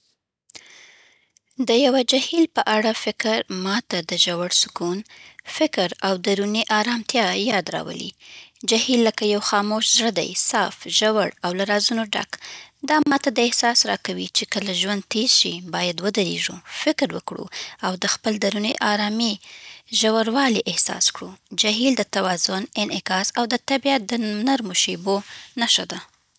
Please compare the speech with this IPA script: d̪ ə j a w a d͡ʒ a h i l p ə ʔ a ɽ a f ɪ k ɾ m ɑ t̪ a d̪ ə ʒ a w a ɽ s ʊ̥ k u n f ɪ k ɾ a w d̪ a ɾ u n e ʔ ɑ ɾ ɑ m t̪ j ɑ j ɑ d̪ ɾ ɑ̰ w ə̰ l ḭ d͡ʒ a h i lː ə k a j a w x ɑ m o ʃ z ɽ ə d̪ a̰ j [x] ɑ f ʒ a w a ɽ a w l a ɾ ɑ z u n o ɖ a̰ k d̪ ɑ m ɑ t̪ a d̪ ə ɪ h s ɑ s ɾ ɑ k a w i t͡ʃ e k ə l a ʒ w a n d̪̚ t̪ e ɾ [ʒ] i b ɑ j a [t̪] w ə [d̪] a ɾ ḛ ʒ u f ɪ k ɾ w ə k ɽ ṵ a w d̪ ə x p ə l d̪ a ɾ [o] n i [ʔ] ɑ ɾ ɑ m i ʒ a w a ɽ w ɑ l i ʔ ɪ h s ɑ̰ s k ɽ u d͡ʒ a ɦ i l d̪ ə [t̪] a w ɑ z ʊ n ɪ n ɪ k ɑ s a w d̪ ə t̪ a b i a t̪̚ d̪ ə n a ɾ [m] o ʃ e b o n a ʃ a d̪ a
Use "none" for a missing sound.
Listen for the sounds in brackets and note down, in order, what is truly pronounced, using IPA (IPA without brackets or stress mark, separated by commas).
s, ʃ, d̪, d̪, u, ʔ, t̪, m